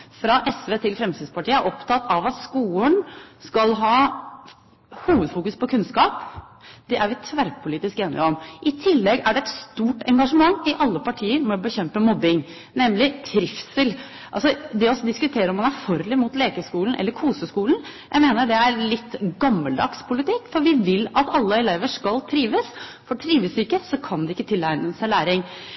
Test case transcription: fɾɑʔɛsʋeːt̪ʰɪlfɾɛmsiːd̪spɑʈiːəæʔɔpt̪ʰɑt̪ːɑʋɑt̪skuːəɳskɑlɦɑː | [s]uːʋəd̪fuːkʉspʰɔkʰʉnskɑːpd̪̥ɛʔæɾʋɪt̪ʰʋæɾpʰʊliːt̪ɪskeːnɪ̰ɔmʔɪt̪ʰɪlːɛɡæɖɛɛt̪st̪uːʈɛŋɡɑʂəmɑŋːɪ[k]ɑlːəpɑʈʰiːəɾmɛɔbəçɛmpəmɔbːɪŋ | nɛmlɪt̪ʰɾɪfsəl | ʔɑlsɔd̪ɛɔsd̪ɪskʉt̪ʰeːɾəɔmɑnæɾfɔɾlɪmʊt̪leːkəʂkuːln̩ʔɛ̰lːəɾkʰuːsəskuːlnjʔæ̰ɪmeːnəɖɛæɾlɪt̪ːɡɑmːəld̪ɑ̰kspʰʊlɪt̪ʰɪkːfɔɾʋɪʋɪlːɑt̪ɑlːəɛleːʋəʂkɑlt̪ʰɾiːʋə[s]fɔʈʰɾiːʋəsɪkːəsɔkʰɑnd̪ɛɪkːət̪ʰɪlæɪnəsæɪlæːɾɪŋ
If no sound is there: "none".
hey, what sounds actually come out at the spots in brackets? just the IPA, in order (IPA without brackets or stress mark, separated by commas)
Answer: h, ʔ, s